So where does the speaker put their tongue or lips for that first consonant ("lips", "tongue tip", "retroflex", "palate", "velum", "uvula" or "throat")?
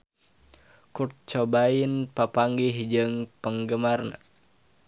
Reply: velum